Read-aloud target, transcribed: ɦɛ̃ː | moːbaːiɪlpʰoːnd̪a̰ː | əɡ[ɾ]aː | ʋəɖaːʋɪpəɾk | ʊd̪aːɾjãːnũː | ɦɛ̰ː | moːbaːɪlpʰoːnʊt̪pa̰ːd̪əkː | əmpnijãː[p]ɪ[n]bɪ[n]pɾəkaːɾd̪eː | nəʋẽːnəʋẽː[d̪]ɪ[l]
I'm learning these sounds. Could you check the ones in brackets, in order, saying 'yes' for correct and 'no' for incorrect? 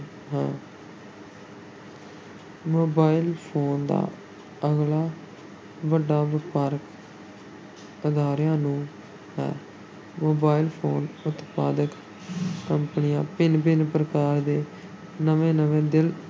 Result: no, yes, yes, yes, yes, yes

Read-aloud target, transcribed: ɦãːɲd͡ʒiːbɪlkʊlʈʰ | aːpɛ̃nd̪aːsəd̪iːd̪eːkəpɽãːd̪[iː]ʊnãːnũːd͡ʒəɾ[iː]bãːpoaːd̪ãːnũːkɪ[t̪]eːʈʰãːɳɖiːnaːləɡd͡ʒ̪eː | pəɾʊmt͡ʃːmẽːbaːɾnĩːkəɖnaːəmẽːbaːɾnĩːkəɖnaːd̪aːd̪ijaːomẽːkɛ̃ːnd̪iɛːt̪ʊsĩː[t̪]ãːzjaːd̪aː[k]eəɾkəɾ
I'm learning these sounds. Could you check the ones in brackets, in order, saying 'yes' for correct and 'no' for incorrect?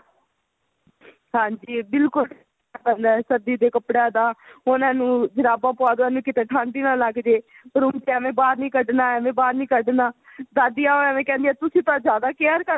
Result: no, no, yes, yes, yes

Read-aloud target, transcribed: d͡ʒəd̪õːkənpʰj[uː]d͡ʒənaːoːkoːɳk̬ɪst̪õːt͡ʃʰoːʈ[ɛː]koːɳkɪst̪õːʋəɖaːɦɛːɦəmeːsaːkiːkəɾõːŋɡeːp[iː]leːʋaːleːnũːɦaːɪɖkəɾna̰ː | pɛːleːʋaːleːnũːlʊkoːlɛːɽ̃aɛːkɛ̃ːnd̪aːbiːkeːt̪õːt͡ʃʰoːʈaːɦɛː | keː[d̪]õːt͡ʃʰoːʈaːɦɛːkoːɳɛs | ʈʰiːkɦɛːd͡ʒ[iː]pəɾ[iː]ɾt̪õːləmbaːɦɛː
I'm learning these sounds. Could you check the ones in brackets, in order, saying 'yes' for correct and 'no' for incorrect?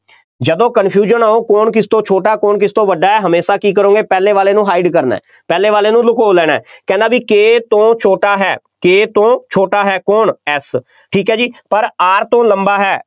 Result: yes, no, no, no, yes, no

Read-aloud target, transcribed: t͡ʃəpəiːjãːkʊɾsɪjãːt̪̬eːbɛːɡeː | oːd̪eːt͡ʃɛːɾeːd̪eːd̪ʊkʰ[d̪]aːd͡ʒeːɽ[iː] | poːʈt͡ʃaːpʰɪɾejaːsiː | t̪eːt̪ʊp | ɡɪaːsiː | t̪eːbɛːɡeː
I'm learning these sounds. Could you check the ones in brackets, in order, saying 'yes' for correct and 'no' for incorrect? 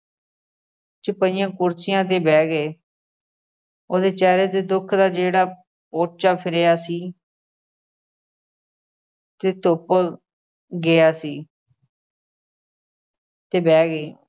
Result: yes, no

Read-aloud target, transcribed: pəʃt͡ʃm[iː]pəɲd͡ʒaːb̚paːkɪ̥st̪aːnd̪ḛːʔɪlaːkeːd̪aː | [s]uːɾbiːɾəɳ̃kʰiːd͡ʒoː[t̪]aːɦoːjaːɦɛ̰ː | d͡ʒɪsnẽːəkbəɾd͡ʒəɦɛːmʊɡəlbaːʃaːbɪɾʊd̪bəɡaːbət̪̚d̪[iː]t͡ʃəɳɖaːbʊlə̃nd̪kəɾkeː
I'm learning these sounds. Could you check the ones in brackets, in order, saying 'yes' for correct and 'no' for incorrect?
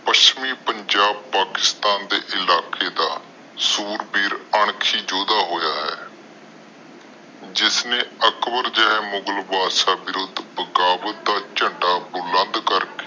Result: yes, yes, no, no

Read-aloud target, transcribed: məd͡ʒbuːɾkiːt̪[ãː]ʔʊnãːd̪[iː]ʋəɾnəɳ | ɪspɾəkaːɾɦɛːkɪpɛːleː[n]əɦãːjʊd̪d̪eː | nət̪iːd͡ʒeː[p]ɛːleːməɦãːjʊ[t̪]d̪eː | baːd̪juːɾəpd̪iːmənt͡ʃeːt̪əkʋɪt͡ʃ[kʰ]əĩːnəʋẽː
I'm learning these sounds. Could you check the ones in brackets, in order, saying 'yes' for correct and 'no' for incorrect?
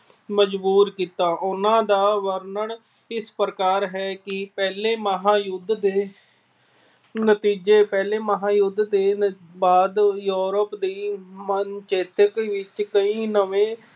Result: no, no, no, yes, no, no

